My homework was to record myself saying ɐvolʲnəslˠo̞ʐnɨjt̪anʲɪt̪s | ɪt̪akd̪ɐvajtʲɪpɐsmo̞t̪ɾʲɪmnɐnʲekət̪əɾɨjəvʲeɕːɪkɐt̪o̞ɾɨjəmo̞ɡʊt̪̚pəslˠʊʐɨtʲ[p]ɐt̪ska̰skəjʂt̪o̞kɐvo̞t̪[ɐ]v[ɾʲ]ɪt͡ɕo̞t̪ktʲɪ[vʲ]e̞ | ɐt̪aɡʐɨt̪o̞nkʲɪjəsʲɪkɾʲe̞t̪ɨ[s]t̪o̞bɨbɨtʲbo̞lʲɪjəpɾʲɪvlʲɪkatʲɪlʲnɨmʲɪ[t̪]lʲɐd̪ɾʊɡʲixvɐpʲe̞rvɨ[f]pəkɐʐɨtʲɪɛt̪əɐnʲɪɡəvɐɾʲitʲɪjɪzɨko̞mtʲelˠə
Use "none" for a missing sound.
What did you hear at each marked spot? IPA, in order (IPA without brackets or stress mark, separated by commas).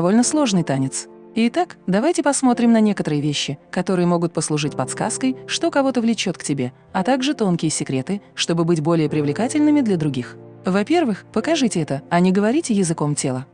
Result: p, ə, lʲ, bʲ, ʂ, d̪, x